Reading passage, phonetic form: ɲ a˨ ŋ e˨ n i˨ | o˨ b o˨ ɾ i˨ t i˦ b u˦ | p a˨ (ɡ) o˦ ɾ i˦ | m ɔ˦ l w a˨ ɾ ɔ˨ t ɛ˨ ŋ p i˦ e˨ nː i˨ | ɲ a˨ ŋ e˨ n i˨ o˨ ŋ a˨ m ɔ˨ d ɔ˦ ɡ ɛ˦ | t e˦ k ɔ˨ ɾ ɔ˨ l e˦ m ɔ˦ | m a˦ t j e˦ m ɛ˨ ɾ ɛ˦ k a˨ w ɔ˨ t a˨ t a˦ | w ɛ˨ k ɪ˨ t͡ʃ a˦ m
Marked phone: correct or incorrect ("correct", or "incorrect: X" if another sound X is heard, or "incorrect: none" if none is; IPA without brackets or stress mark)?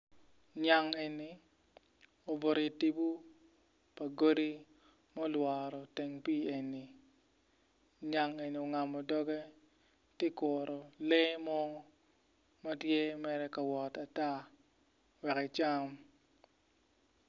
correct